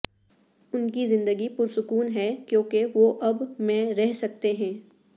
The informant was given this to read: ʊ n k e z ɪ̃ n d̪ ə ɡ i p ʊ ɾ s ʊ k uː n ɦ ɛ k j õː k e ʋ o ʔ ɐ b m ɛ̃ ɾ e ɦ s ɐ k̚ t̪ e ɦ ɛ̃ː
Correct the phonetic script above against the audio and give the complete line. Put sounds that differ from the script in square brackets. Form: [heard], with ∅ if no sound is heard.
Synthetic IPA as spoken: ʊ n k [i] z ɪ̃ n d̪ ə ɡ i p ʊ ɾ s ʊ k uː n ɦ ɛ k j õː k e ʋ o ʔ ɐ b m ɛ̃ ɾ [ɛ] ɦ s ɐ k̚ t̪ e ɦ ɛ̃ː